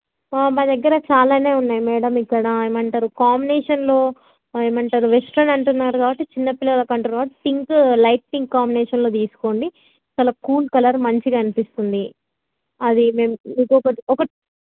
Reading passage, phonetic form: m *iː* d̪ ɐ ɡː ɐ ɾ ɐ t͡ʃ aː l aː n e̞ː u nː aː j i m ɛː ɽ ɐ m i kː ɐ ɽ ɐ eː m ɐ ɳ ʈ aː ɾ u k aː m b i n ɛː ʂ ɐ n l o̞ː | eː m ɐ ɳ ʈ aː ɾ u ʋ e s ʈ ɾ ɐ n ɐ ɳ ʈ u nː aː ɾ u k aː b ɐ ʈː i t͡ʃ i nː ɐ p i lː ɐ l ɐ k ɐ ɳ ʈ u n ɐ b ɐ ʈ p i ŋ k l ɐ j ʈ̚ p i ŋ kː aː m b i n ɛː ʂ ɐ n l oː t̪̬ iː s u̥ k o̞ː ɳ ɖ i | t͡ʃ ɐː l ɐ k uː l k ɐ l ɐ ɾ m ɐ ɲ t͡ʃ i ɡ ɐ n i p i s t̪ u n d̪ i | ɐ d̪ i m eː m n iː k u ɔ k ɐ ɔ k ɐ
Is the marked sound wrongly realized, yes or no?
yes